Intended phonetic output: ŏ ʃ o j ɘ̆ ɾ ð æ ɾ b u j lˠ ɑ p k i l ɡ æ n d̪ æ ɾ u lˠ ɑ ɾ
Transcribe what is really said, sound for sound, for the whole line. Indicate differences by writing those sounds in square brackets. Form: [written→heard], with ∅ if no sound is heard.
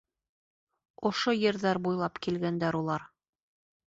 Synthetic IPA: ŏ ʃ o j ɘ̆ ɾ ð æ ɾ b u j lˠ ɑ p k i l ɡ æ n d̪ æ ɾ u lˠ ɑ ɾ